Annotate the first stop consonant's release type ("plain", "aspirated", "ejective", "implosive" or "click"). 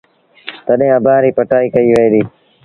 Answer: plain